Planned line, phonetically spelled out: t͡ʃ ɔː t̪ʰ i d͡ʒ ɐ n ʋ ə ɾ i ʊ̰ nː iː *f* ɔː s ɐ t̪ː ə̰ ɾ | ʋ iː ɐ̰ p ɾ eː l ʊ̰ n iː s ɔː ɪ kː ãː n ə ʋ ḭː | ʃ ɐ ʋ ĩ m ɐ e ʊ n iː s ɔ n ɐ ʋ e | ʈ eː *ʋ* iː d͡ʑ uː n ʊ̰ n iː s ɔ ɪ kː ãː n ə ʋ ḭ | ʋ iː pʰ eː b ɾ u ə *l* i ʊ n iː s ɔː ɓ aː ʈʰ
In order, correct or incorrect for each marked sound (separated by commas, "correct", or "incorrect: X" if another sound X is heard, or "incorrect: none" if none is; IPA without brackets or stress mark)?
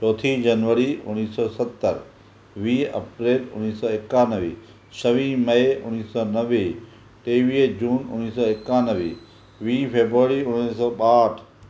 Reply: incorrect: s, correct, incorrect: ɾ